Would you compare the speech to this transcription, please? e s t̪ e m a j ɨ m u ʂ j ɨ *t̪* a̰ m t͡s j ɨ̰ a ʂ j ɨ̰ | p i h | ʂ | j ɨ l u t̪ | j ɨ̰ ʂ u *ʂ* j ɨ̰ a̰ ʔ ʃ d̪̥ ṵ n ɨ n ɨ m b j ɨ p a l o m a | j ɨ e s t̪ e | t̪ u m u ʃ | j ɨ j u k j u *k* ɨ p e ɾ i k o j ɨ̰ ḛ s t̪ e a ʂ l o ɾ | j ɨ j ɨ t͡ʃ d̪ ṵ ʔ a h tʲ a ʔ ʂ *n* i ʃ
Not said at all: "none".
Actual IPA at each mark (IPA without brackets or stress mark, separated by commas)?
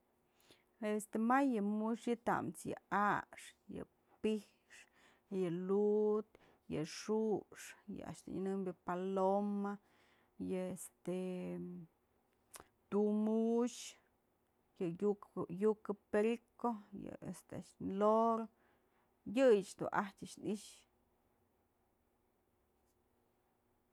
t̪, ʂ, k, n